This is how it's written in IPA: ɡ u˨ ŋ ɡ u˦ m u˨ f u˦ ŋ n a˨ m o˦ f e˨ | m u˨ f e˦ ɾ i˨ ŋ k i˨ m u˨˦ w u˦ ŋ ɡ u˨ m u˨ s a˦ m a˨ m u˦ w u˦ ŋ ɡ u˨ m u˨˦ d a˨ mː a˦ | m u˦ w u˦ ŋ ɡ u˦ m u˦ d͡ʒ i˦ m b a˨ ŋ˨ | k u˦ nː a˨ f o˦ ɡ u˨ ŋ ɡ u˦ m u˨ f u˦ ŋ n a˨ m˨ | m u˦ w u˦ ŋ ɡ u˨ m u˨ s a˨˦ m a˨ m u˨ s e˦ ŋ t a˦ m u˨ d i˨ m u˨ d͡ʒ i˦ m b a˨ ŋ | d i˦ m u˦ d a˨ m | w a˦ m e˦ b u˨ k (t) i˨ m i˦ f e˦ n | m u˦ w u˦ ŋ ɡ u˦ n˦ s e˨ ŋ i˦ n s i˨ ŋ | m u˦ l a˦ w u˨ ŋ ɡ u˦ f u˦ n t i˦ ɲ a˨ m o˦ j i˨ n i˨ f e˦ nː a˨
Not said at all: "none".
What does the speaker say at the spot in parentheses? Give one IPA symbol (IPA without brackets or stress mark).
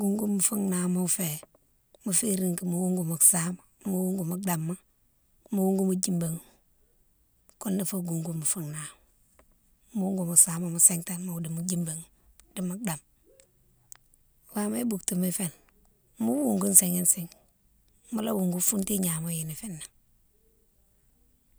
t